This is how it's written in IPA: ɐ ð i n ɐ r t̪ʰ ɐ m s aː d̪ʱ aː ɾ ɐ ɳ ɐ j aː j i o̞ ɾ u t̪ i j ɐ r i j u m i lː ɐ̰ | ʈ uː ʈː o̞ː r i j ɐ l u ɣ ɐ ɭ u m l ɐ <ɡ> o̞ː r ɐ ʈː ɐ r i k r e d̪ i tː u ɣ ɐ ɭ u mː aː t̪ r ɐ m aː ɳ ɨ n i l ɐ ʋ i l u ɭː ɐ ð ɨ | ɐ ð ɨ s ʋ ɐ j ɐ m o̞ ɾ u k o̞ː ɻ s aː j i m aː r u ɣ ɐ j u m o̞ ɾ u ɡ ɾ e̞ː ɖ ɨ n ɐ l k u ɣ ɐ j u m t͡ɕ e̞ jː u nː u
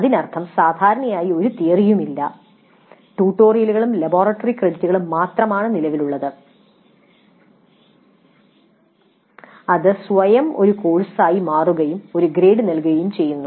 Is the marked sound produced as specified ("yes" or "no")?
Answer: no